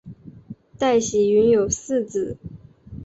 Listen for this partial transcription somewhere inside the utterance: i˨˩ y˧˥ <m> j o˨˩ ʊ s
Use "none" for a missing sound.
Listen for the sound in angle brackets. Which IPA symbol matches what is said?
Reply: n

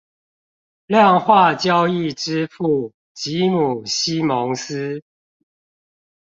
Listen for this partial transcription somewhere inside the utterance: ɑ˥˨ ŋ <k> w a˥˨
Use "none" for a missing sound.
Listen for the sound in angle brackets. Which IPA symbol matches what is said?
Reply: x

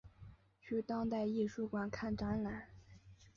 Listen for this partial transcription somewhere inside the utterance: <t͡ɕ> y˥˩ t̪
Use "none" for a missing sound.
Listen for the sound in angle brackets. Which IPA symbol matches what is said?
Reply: t͡ɕʰ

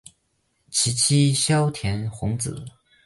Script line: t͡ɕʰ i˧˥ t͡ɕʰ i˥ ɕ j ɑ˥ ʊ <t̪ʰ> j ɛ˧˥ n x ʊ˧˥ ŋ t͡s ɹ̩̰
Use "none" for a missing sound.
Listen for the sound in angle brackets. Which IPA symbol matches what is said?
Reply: t̪ʰ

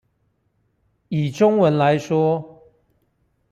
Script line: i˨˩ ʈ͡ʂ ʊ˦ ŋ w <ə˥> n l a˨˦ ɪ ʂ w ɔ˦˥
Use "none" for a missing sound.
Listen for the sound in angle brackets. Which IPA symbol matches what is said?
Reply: ə˨˦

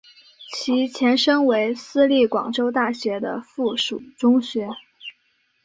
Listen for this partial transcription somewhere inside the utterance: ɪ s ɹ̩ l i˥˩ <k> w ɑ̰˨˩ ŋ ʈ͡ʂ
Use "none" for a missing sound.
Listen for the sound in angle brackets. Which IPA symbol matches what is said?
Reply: k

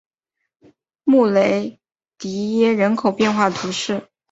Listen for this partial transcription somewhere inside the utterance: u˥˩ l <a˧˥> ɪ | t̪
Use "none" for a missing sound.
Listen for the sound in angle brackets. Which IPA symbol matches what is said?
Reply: e˧˥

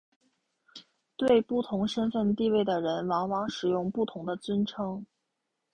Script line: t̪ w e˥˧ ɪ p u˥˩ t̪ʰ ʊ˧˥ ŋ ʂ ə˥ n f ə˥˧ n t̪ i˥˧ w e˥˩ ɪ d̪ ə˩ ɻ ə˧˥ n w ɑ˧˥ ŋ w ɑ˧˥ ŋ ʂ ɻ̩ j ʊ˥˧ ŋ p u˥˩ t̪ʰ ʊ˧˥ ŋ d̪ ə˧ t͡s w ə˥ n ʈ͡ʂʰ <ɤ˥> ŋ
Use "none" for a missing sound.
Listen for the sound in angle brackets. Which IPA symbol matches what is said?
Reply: ɤ˥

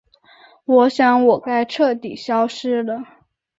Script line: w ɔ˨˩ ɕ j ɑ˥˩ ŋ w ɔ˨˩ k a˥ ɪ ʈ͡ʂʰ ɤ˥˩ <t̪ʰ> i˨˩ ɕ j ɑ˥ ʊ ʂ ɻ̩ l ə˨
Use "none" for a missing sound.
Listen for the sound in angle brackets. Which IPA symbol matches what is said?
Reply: t̪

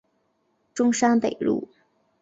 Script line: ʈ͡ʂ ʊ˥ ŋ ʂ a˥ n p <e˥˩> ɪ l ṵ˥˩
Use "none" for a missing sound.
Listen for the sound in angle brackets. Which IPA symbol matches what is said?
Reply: e˨˩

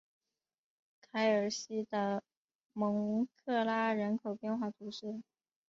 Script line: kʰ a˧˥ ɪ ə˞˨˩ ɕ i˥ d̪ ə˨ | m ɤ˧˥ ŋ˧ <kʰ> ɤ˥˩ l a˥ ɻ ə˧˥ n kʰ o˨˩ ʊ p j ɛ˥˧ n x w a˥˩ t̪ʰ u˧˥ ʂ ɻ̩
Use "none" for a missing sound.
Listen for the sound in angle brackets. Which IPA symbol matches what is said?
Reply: kʰ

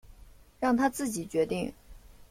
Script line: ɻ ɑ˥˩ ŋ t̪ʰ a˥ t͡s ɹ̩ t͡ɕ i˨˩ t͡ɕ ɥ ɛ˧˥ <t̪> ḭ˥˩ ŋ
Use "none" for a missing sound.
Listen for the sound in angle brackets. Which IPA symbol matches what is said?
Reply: t̪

